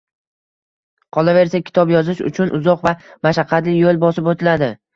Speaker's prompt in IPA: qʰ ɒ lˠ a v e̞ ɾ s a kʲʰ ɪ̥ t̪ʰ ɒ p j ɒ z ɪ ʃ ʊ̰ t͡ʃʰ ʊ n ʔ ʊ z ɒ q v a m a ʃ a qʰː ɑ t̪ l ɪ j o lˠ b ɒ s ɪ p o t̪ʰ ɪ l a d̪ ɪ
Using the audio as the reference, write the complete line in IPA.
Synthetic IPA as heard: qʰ ɒ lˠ a v e̞ ɾ s a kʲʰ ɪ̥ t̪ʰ ɒ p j ɒ z ɪ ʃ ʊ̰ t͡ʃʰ ʊ n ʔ ʊ z ɒ q v a m a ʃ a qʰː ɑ t̪ l ɪ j o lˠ b ɒ s ɪ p o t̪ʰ ɪ l a d̪ ɪ

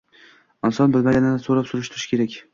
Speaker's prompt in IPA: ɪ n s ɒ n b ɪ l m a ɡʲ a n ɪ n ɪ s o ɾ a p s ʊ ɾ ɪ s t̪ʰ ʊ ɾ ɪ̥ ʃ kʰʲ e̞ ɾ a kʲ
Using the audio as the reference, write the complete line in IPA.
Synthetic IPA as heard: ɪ n s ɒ n b ɪ l m a ɡʲ a n ɪ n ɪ s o ɾ a p s ʊ ɾ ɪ ʃ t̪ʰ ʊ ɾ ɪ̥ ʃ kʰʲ e̞ ɾ a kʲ

